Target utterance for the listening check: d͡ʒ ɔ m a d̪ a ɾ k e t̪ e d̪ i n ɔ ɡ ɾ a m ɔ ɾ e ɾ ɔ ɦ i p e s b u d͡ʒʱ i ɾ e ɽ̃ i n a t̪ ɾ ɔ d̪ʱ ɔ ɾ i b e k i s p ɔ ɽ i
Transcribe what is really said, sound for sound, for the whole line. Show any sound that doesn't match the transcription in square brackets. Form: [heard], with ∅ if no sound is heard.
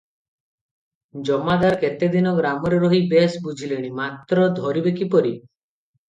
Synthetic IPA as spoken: d͡ʒ ɔ m a d̪ a ɾ k e t̪ e d̪ i n ɔ ɡ ɾ a m ɔ ɾ e ɾ ɔ ɦ i [b] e s b u d͡ʒʱ i [l] e ɽ̃ i [m] a t̪ ɾ ɔ d̪ʱ ɔ ɾ i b e k i [∅] p ɔ [ɾ] i